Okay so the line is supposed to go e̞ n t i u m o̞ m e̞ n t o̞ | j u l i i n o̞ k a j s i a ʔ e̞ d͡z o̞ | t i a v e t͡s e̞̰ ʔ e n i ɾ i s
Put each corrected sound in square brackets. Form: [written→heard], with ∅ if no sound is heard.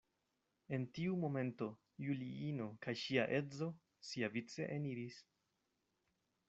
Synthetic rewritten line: e̞ n t i u m o̞ m e̞ n t o̞ | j u l i i n o̞ k a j [s→ʃ] i a ʔ e̞ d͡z o̞ | [t→s] i a v [e→i] t͡s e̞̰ ʔ e n i ɾ i s